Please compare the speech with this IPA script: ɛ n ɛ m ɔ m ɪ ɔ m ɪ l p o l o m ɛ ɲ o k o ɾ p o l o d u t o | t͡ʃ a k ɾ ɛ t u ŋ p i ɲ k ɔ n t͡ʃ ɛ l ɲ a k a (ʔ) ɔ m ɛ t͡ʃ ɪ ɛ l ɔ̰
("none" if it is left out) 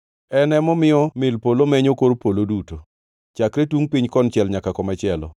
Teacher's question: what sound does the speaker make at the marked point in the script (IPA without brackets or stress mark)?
k